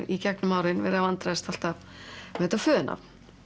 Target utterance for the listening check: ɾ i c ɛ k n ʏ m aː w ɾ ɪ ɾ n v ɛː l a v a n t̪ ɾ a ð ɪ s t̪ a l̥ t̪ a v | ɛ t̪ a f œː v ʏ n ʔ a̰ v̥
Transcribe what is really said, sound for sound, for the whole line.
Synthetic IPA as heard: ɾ i c ɛ k n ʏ m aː w ɾ ɪ n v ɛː ɾ a v a n t̪ ɾ a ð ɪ s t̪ a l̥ t̪ a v | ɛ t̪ a f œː ð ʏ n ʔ a̰ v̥